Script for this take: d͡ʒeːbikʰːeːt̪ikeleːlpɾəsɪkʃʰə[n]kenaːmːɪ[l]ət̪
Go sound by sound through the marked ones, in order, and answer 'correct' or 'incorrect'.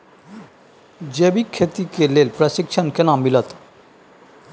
correct, correct

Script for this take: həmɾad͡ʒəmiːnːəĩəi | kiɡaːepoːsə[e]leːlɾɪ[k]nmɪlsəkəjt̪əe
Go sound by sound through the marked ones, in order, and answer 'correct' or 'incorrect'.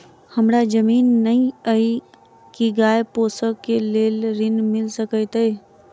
correct, incorrect

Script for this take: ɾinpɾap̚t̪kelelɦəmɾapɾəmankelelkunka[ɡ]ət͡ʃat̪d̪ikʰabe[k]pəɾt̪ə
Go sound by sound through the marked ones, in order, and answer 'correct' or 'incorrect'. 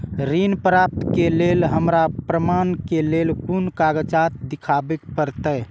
correct, correct

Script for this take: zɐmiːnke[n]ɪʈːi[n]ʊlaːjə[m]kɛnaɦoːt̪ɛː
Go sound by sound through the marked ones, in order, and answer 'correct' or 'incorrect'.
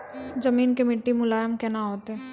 incorrect, incorrect, correct

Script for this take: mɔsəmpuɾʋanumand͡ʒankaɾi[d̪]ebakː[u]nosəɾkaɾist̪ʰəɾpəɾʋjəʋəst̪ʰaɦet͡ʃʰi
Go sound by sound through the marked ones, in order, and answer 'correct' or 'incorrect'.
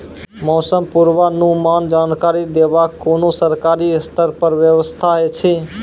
correct, incorrect

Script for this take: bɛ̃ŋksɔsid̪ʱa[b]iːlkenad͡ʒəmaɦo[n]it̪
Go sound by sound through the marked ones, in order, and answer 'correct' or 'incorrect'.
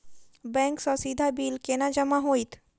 correct, incorrect

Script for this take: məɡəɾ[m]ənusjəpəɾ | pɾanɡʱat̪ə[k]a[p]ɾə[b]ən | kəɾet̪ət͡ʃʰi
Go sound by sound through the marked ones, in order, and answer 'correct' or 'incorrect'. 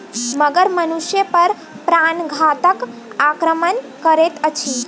correct, correct, incorrect, incorrect

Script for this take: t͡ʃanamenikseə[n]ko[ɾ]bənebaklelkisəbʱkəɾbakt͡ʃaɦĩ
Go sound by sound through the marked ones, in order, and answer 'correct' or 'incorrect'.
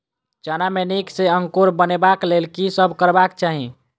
incorrect, correct

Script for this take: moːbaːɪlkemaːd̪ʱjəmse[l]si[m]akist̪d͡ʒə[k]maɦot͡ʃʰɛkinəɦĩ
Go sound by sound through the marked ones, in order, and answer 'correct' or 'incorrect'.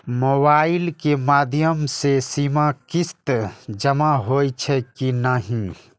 incorrect, correct, incorrect

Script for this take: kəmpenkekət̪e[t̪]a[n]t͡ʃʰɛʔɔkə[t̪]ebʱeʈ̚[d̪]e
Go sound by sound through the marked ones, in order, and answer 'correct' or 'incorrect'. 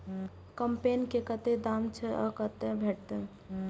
incorrect, incorrect, correct, incorrect

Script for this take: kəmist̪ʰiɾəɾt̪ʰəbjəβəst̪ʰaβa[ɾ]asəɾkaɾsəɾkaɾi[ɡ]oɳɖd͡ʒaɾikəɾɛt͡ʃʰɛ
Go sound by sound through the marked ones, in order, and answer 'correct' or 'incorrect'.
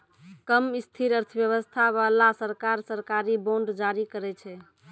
incorrect, incorrect

